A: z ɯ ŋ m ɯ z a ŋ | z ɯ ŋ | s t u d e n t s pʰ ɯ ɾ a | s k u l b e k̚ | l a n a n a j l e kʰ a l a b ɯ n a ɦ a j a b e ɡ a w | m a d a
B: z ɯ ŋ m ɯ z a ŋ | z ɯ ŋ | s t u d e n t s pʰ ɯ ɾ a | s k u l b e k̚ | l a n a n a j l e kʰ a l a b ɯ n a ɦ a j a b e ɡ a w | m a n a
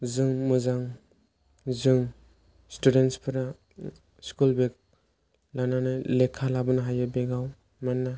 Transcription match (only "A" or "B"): B